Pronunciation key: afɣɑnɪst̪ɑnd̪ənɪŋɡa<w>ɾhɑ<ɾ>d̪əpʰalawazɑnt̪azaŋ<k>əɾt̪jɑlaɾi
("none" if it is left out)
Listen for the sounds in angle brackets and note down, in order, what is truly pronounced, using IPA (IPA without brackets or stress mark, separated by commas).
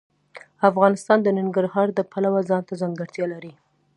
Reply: none, ɾ, ɡ